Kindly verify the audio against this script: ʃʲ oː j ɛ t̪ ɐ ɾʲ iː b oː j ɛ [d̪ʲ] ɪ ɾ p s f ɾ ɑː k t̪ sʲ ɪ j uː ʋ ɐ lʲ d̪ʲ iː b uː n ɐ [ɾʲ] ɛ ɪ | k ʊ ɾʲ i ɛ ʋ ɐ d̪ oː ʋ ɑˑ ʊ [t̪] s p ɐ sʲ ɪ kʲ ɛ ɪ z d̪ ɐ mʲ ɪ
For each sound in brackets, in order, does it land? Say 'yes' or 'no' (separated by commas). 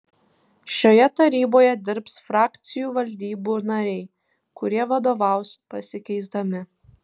yes, yes, no